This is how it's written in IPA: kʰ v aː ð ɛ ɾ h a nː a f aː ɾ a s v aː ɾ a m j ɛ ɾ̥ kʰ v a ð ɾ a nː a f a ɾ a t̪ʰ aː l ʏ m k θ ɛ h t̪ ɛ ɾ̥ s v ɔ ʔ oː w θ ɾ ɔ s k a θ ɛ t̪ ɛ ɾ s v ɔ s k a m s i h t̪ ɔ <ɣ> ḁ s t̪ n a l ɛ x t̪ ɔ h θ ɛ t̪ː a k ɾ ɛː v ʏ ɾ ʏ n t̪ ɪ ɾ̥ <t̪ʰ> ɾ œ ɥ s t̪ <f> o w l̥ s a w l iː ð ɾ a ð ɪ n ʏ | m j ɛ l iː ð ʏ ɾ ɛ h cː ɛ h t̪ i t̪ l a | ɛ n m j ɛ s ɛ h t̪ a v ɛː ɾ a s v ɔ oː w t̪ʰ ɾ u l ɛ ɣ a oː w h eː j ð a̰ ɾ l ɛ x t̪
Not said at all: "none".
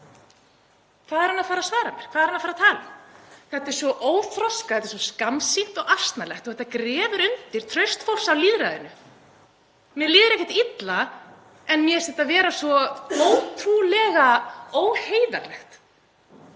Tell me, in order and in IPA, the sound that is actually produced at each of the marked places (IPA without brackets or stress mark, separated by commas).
ɣ, t̪ʰ, f